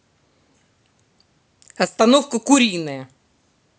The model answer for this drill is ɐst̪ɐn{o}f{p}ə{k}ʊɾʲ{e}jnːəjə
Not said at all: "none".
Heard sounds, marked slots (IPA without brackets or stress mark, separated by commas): o, k, k, i